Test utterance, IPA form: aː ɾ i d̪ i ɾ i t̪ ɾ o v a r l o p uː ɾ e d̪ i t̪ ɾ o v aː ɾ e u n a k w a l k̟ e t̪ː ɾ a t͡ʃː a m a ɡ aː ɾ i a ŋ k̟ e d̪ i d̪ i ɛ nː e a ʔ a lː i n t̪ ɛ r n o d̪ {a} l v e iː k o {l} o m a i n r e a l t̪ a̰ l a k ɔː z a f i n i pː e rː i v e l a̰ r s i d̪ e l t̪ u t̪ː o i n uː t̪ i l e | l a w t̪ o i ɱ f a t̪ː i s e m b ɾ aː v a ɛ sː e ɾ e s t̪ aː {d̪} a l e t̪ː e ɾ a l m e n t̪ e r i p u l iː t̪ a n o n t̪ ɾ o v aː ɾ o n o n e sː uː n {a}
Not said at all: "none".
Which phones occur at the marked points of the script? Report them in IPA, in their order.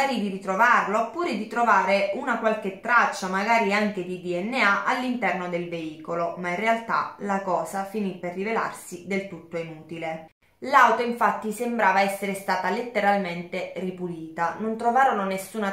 e, l, t̪, a

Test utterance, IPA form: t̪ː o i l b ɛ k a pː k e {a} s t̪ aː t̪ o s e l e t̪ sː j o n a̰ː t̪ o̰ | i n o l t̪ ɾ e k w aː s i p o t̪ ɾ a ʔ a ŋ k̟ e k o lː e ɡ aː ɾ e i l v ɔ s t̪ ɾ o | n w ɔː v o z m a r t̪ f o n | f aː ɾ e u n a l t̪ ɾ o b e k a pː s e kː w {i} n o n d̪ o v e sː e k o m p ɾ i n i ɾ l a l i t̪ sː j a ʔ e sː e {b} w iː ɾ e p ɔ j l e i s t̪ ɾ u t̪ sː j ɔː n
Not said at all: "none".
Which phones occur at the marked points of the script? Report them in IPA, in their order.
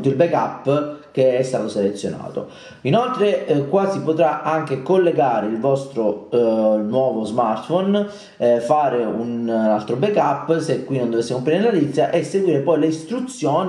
ɛ, i, ɡ

